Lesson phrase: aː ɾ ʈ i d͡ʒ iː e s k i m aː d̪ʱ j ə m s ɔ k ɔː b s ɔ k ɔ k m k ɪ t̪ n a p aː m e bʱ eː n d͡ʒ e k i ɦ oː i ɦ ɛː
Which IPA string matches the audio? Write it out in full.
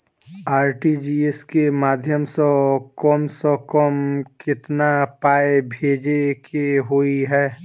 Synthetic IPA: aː ɾ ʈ i d͡ʒ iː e s k e m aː d̪ʱ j ə m s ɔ k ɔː m s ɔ k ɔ m k ɪ t̪ n a p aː e bʱ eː d͡ʒ e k e ɦ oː i ɦ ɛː